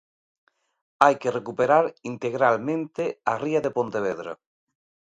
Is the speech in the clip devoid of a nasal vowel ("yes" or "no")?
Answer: no